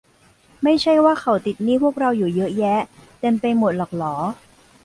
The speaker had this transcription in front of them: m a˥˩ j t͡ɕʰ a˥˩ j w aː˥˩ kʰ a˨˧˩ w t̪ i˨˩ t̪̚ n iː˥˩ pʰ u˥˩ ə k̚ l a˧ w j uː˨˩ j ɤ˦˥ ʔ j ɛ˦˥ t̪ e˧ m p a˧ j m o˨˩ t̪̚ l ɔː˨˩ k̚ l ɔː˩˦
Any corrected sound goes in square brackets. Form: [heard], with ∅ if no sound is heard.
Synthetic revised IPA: m a˥˩ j t͡ɕʰ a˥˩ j w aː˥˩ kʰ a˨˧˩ w t̪ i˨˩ t̪̚ n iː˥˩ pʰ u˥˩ ə k̚ [ɾ] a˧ w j uː˨˩ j ɤ˦˥ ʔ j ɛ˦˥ t̪ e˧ m p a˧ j m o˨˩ t̪̚ l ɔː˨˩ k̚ l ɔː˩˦

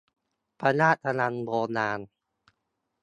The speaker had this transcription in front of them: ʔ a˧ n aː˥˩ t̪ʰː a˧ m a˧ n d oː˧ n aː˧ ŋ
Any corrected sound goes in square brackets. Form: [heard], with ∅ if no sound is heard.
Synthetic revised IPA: [p] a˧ n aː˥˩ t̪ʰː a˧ [n] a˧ n [b] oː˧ n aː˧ [n]

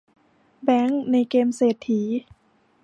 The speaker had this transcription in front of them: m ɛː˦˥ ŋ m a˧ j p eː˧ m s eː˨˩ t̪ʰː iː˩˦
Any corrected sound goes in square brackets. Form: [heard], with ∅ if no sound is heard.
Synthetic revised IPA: [b] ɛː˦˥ ŋ [n] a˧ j [k] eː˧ m s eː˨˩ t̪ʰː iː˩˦

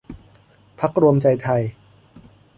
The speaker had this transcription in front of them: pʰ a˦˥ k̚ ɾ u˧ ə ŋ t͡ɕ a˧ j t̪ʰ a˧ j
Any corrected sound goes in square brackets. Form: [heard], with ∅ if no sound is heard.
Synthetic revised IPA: pʰ a˦˥ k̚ ɾ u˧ ə [m] t͡ɕ a˧ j t̪ʰ a˧ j

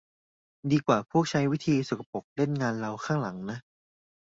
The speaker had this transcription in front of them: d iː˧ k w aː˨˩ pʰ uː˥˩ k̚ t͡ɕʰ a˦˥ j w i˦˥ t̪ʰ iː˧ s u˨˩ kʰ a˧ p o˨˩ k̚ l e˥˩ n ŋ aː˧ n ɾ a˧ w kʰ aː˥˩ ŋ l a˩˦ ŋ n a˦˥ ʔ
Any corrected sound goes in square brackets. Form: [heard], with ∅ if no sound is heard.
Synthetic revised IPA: d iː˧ k w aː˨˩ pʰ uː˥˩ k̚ t͡ɕʰ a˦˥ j w i˦˥ t̪ʰ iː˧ s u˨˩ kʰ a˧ p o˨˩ k̚ l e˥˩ n ŋ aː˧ n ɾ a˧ w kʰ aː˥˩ ŋ l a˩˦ ŋ n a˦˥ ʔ

